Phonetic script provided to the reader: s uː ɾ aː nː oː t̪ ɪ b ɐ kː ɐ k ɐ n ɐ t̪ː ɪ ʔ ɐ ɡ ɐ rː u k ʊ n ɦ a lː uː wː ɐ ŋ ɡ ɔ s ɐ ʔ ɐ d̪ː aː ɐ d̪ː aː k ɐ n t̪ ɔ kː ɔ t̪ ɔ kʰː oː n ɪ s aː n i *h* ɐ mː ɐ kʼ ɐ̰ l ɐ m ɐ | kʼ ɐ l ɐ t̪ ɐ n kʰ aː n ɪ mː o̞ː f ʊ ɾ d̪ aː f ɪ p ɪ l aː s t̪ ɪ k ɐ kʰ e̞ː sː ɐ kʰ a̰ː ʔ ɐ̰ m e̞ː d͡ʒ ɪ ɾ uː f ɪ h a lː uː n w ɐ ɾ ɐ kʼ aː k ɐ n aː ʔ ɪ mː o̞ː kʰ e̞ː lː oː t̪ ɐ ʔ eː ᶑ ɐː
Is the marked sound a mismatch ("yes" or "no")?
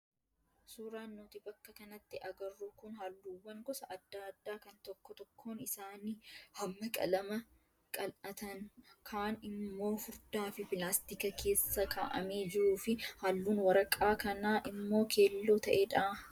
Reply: no